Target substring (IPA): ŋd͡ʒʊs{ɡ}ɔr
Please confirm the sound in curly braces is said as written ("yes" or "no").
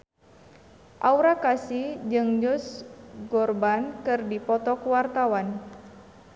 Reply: yes